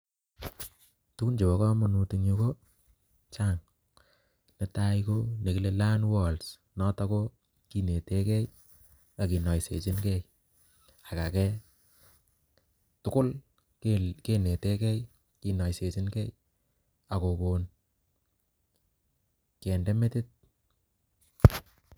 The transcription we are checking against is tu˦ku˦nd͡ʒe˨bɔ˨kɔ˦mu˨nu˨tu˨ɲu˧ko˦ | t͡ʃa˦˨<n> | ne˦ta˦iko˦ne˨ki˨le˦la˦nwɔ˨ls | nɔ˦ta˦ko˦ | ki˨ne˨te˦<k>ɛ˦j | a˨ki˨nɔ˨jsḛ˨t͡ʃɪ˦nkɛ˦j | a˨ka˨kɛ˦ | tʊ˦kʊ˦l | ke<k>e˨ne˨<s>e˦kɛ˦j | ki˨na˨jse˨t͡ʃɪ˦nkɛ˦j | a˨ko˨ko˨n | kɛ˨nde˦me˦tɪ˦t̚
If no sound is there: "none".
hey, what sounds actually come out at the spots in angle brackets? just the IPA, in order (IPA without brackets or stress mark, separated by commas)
ŋ, k, k, t